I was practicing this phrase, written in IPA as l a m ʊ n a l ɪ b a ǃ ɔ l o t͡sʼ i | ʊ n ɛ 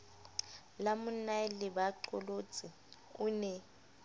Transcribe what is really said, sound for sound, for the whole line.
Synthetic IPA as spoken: l a m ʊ n a l ɪ b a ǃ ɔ l o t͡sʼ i | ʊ n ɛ